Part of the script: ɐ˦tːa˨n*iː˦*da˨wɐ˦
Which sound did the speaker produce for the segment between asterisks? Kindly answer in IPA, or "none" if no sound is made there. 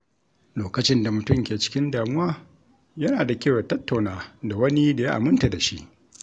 aː˦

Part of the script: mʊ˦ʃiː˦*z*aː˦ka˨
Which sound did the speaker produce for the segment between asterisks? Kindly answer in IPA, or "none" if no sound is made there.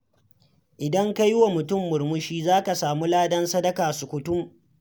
z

